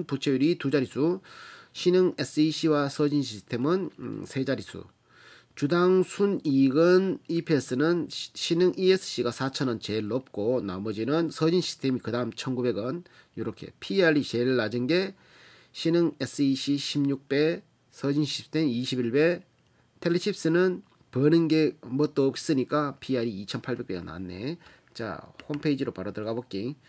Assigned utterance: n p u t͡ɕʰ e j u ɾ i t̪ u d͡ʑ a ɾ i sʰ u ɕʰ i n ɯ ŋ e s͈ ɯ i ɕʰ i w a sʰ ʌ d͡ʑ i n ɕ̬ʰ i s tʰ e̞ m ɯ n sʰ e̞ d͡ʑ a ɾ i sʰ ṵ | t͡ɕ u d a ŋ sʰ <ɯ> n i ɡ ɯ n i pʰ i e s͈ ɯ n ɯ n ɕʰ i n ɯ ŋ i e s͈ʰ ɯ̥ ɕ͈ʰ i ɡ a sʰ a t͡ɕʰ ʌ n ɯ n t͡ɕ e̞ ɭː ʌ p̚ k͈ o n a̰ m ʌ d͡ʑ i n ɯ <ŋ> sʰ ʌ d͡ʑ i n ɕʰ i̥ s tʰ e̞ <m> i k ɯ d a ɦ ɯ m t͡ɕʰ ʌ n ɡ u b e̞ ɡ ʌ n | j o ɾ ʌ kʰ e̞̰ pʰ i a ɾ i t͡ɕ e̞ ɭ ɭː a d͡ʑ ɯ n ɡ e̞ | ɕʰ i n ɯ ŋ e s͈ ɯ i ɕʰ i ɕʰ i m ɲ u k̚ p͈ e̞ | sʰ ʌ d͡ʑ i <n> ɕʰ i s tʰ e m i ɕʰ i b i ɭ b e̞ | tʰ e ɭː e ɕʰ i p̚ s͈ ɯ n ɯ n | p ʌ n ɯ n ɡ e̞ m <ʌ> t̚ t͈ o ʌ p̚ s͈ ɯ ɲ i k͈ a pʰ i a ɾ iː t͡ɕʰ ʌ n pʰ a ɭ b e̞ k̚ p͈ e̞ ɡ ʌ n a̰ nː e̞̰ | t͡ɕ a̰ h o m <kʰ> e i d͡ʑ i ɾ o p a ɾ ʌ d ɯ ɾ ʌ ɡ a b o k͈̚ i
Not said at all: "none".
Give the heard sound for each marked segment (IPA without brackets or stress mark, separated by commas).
u, n, m, n, ʌ, pʰ